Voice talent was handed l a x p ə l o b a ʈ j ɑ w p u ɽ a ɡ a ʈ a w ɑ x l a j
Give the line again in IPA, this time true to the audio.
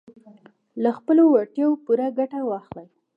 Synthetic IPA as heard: l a x p ə l o w a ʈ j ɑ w p u ɾ a ɡ a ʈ a w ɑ x l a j